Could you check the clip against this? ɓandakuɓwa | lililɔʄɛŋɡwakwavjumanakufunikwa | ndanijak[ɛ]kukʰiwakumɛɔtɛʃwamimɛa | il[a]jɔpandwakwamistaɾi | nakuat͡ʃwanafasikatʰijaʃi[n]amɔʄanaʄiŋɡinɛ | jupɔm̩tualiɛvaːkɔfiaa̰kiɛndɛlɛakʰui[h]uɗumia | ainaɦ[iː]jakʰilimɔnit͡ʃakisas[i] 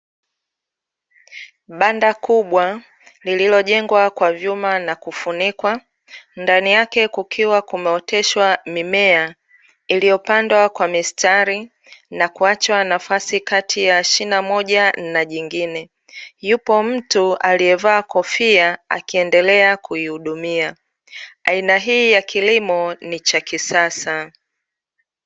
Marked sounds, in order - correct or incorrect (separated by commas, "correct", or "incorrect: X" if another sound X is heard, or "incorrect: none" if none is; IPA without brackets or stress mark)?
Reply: correct, incorrect: i, correct, correct, correct, incorrect: a